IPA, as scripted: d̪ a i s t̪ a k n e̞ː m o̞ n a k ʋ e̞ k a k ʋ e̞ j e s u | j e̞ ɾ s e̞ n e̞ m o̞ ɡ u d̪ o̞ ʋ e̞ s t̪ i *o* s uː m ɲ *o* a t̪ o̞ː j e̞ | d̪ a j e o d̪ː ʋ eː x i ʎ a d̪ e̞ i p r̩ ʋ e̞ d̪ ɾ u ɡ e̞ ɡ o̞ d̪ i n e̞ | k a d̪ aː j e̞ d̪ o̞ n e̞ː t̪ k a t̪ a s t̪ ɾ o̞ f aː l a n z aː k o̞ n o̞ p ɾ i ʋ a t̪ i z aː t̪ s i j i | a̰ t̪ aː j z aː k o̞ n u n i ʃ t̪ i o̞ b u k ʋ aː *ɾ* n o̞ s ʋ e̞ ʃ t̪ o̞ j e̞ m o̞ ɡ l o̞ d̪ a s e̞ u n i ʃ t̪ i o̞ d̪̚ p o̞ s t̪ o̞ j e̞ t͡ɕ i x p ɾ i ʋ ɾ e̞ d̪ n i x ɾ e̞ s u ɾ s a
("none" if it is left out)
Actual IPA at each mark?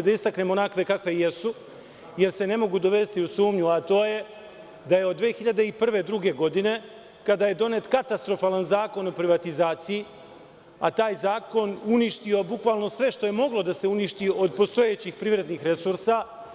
u, u, l

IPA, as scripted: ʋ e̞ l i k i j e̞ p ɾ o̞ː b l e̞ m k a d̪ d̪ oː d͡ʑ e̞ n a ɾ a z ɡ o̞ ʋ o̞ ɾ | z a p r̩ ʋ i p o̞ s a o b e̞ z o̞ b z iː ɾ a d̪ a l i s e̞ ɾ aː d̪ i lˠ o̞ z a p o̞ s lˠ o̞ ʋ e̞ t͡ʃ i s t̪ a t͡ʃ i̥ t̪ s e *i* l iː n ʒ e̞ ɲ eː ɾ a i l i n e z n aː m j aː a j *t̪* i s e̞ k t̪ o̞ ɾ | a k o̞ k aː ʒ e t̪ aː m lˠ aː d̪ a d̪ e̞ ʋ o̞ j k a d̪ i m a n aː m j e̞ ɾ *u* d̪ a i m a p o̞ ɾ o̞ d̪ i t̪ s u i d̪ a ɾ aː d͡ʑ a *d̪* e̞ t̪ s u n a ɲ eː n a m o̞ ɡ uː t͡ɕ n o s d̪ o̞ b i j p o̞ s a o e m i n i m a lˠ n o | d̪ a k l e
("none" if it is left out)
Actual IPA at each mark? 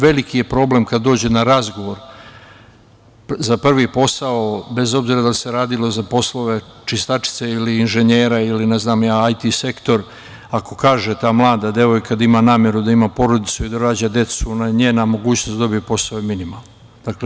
i, t̪, u, d̪

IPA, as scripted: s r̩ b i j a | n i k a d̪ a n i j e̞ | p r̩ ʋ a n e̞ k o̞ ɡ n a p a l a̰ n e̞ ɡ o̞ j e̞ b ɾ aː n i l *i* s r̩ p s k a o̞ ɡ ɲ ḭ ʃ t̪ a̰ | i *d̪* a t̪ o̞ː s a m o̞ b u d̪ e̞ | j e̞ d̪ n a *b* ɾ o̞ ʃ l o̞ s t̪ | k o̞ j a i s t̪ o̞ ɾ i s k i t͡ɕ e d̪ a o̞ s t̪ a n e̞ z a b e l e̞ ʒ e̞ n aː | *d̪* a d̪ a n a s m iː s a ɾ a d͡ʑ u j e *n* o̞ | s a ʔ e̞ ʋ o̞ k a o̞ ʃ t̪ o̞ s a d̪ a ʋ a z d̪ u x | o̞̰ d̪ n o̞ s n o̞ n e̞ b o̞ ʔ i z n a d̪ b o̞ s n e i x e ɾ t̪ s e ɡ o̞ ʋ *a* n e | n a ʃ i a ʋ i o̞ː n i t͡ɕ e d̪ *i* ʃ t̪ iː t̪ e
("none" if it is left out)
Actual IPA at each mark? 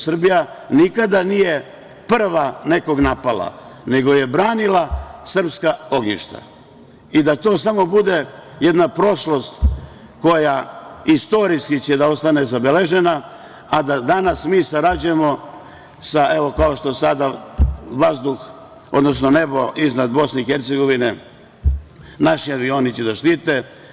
a, d̪, p, d̪, m, i, a

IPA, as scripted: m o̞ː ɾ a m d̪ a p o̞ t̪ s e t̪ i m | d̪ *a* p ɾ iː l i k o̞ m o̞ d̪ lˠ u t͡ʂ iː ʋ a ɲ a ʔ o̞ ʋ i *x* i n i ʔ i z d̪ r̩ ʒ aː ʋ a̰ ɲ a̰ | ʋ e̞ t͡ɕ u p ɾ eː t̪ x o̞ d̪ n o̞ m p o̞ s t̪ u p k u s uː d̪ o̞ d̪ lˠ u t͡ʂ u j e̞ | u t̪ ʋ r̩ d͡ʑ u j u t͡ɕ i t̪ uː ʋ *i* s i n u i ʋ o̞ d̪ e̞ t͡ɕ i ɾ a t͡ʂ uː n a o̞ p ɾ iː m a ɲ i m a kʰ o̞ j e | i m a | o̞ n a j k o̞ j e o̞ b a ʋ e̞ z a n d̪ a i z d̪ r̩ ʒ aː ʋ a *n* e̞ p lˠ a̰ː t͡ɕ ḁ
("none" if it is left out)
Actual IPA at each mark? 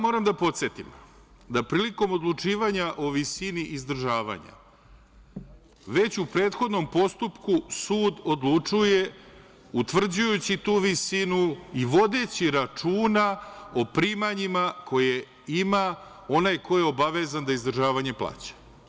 a, s, i, ɲ

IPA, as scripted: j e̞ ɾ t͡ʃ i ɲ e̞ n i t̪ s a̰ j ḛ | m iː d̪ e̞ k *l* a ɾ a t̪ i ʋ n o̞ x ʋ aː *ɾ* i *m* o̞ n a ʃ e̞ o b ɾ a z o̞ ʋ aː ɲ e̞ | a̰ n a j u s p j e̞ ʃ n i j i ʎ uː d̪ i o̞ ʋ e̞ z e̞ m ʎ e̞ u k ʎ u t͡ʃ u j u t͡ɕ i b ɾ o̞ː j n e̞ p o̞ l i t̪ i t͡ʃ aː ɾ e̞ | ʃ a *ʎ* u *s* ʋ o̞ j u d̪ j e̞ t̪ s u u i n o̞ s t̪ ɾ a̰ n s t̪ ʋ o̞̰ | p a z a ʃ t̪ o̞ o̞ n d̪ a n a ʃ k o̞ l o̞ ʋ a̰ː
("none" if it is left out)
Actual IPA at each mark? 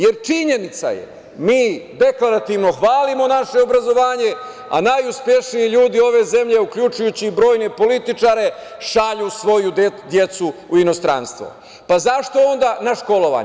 l, l, m, ʎ, s

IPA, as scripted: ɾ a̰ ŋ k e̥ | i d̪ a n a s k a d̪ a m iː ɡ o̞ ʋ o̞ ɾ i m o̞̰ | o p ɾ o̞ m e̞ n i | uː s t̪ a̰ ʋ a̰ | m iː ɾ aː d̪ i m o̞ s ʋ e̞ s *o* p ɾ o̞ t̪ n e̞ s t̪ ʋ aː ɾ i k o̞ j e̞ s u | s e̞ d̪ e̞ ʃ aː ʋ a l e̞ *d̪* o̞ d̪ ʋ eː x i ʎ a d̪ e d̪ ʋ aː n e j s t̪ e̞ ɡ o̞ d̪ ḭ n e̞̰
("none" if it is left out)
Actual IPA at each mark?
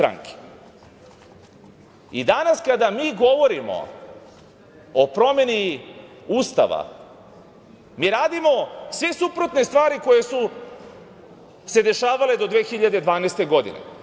u, d̪

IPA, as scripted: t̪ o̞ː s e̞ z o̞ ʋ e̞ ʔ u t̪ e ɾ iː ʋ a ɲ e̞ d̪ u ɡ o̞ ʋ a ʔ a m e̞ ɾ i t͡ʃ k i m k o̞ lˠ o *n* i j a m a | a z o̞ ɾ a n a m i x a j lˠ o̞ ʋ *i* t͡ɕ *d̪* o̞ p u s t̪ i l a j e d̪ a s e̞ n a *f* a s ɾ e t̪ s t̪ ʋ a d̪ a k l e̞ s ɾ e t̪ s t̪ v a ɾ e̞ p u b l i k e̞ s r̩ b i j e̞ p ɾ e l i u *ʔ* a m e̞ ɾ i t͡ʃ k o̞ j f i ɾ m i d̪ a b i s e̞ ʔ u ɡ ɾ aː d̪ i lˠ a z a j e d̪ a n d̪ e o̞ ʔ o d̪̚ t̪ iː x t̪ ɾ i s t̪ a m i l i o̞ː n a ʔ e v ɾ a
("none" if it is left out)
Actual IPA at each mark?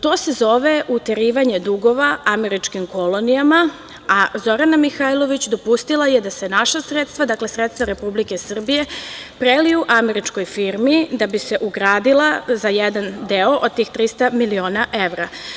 n, i, d̪, ʃ, ʔ

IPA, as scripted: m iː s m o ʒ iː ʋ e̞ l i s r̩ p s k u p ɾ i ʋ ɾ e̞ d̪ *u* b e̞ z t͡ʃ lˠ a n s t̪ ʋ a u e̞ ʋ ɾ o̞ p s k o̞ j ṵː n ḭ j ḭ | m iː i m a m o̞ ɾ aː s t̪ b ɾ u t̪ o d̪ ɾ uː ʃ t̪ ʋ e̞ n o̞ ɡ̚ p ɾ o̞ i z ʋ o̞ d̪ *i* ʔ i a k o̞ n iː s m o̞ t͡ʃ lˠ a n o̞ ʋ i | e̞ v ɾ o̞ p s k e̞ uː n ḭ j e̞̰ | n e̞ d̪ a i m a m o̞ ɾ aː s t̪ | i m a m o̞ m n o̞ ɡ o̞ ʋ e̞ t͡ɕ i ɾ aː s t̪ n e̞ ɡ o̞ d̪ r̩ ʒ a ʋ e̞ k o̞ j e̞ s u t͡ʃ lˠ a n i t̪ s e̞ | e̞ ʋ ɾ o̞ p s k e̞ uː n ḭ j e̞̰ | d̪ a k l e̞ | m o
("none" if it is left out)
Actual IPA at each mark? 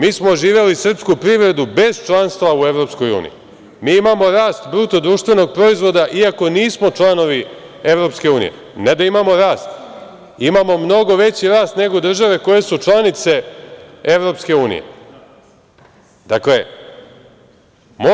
u, a

